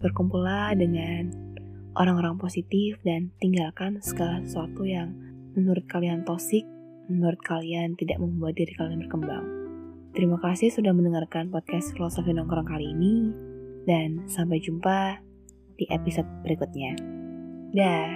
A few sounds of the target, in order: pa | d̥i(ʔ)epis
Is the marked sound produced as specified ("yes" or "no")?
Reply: yes